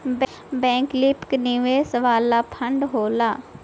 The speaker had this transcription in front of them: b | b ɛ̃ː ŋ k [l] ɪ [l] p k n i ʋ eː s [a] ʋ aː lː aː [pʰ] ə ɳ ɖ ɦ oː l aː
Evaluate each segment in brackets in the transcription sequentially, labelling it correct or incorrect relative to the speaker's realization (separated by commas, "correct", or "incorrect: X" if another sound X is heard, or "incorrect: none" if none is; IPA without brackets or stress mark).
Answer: correct, incorrect: none, incorrect: ə, correct